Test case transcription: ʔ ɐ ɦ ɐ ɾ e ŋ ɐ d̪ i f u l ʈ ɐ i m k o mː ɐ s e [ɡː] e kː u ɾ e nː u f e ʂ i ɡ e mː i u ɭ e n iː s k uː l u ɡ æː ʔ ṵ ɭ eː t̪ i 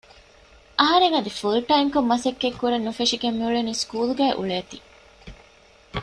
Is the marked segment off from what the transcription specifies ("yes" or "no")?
yes